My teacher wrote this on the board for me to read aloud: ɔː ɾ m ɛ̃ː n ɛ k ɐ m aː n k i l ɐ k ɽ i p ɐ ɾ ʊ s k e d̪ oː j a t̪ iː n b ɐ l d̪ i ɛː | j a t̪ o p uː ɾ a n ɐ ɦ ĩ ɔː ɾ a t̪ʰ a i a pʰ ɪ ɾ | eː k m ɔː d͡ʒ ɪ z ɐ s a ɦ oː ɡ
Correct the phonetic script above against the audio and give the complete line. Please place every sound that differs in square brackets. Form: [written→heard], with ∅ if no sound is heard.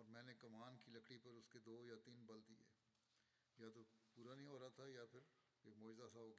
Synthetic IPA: ɔː ɾ m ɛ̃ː n [ɛ→e] k ɐ m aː n k i l ɐ k ɽ i p ɐ ɾ ʊ s k e d̪ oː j a t̪ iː n b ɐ l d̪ i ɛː | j a t̪ o p uː ɾ a n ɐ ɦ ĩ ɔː ɾ a t̪ʰ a [i→j] a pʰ ɪ ɾ | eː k m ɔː d͡ʒ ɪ z [ɐ→a] s a ɦ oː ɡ